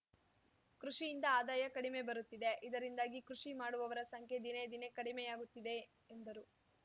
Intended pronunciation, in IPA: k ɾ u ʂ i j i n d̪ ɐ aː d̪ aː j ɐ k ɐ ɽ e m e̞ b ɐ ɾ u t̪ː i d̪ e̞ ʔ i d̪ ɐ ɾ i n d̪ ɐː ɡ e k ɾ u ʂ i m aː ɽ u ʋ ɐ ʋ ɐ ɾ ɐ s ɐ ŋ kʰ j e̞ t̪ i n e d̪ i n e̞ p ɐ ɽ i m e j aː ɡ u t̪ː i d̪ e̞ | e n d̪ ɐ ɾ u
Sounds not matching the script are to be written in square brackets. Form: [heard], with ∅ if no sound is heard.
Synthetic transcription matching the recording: k ɾ u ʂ i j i n d̪ ɐ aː d̪ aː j ɐ k ɐ ɽ [i] m e̞ b ɐ ɾ u t̪ː i d̪ e̞ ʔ i d̪ ɐ ɾ i n d̪ [aː] ɡ [i] k ɾ u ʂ i m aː ɽ u ʋ ɐ ʋ ɐ ɾ ɐ s ɐ ŋ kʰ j e̞ [d̪] i n e d̪ i n e̞ [k] ɐ ɽ i m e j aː ɡ u t̪ː i d̪ e̞ | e n d̪ ɐ ɾ u